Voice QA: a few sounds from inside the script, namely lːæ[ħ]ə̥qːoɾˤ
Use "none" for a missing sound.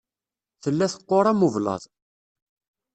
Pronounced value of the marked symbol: θ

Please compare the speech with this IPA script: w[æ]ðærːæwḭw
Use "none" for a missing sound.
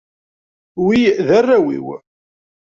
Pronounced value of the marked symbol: i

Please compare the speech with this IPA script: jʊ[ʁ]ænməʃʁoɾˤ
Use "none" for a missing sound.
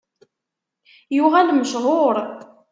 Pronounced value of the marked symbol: ʁ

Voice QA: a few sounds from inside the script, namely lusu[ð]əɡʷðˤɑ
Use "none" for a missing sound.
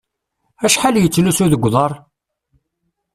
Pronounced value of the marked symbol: ð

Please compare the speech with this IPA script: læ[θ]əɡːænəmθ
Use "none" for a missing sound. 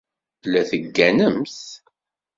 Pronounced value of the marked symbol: θ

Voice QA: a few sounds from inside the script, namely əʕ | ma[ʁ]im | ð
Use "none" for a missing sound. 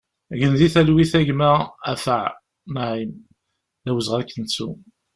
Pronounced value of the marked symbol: ʕ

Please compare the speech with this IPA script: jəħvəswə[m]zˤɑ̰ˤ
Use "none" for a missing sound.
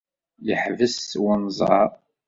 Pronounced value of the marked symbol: n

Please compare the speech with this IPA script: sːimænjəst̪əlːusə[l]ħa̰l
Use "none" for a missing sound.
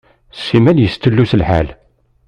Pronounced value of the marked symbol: l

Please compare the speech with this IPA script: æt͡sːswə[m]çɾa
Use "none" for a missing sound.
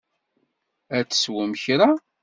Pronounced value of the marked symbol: m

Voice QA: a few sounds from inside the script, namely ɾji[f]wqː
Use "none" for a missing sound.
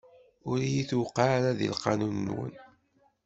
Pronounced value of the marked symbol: θ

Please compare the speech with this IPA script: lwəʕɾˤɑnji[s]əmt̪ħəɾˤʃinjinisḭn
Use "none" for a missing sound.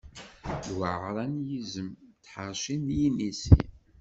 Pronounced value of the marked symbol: z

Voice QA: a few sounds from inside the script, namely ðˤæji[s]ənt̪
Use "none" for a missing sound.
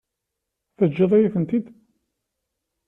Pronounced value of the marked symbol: θ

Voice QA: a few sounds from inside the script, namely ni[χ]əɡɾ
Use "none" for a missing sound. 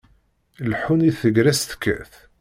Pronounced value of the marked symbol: θ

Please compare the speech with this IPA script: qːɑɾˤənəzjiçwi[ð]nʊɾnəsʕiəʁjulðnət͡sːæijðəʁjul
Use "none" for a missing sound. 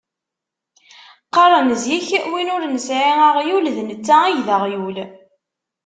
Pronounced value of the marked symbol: none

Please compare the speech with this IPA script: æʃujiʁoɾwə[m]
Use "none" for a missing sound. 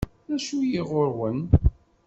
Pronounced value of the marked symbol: n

